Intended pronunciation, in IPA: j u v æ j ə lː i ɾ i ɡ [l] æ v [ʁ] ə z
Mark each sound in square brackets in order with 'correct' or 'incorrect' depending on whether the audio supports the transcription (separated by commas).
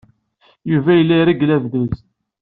correct, incorrect